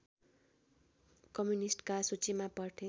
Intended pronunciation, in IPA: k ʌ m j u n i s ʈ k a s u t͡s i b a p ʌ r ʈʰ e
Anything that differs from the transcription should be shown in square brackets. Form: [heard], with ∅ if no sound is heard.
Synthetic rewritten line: k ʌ m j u n i s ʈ k a s u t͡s i [m] a p ʌ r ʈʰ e